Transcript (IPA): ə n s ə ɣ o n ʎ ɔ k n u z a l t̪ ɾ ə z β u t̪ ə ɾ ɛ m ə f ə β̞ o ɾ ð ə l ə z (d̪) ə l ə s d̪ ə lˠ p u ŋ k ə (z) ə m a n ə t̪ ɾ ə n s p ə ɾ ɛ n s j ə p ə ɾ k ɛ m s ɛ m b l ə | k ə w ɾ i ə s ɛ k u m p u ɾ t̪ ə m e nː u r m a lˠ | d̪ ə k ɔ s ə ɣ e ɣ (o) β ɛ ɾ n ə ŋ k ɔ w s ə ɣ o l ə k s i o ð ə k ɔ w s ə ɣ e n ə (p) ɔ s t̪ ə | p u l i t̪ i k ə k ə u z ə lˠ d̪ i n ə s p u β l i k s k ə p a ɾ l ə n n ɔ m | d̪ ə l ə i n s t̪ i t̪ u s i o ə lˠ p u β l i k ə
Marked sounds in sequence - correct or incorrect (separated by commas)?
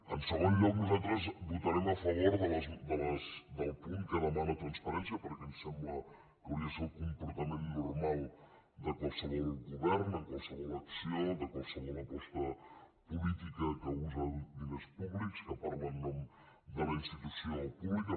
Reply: correct, incorrect, incorrect, correct